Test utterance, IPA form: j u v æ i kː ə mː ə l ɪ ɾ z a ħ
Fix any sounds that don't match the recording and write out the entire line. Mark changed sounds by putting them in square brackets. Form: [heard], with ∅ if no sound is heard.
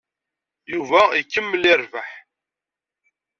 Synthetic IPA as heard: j u v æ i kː ə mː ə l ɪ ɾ [v] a ħ